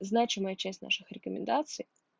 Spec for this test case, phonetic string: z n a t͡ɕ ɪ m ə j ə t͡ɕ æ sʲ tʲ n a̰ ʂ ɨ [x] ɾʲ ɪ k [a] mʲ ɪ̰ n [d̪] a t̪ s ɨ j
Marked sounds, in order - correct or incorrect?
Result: correct, incorrect: ə, correct

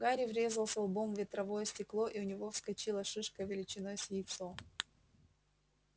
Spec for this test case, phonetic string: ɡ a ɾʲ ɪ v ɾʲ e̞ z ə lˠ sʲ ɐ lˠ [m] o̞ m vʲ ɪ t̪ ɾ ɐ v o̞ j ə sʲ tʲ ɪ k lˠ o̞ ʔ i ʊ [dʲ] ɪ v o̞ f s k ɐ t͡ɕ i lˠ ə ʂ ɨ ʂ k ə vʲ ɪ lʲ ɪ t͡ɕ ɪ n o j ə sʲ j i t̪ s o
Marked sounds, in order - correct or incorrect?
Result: incorrect: b, incorrect: nʲ

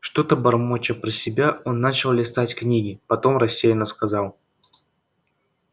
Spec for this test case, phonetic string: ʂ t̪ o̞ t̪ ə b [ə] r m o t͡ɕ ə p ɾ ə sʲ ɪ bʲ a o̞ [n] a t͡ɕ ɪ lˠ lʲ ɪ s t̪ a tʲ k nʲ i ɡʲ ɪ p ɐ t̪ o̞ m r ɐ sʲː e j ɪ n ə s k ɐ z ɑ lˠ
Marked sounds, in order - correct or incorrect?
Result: incorrect: ɐ, incorrect: nː

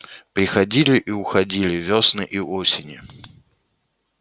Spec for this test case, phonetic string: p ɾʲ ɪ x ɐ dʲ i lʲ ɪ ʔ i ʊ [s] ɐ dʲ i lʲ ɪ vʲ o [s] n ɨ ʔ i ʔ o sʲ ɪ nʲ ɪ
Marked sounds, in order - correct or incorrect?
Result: incorrect: x, correct

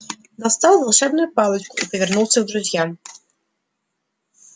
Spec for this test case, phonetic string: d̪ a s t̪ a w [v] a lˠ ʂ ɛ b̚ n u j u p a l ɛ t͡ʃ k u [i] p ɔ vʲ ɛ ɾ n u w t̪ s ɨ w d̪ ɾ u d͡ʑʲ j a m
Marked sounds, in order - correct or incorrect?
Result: correct, correct

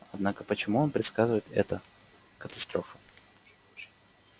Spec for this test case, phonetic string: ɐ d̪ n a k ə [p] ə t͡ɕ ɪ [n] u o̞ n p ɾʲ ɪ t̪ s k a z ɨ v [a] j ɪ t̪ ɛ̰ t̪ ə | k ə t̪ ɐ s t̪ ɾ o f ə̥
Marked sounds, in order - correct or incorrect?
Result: correct, incorrect: m, incorrect: ə

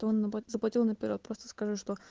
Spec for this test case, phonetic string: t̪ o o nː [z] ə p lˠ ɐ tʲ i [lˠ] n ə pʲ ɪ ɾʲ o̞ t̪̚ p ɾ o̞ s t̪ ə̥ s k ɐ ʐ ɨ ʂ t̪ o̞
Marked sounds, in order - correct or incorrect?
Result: correct, correct

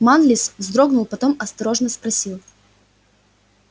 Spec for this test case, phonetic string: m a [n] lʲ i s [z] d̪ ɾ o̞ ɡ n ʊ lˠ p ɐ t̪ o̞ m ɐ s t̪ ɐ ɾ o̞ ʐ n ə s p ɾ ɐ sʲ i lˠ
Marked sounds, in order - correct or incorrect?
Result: correct, correct

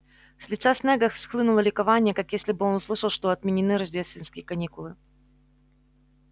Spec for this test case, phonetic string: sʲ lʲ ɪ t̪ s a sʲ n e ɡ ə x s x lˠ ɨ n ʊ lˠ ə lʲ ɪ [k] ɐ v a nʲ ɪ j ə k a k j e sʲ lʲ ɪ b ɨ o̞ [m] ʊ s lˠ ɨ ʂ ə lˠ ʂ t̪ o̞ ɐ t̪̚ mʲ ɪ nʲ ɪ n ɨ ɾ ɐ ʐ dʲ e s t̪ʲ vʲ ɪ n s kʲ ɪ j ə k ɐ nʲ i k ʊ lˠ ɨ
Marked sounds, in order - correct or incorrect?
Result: correct, incorrect: n

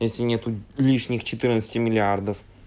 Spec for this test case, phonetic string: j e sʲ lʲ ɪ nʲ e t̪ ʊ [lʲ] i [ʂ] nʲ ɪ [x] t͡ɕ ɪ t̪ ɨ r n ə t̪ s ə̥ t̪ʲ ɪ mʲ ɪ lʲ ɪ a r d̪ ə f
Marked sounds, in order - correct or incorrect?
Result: correct, correct, correct

